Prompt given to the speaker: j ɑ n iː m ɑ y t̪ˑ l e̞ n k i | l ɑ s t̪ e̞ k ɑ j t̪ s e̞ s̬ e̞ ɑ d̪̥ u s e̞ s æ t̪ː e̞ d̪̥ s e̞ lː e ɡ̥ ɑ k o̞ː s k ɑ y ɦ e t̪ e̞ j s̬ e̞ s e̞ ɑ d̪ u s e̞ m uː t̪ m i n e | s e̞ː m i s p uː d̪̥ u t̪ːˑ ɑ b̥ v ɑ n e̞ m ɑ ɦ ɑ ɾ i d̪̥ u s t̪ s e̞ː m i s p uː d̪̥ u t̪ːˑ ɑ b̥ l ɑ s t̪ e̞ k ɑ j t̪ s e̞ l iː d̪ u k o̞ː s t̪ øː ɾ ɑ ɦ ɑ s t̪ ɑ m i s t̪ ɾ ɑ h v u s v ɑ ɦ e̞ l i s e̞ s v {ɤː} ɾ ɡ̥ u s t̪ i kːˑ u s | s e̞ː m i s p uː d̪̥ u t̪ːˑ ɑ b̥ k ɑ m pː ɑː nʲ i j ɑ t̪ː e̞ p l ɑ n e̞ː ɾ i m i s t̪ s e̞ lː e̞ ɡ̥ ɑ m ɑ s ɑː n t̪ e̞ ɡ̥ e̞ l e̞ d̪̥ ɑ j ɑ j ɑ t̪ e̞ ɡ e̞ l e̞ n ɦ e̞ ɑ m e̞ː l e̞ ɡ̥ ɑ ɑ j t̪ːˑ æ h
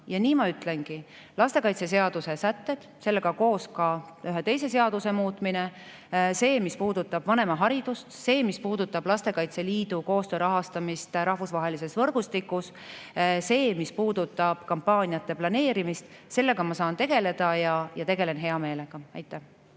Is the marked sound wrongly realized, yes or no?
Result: yes